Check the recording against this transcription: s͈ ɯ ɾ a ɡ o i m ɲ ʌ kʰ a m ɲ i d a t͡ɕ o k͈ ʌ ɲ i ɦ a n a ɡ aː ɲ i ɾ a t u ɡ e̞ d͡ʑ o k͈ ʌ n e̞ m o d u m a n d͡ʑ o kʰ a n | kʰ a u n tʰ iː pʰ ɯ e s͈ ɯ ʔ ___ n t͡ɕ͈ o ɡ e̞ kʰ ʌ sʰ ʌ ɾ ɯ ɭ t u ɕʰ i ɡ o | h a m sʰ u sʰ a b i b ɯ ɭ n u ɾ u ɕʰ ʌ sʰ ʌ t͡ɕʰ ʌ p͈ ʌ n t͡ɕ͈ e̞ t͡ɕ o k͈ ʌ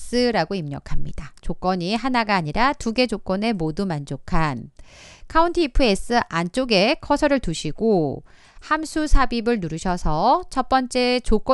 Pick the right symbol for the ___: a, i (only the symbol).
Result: a